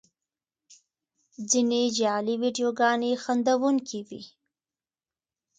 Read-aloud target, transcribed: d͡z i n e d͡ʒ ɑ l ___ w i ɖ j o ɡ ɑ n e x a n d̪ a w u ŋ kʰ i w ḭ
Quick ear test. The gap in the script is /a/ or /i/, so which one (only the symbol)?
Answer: i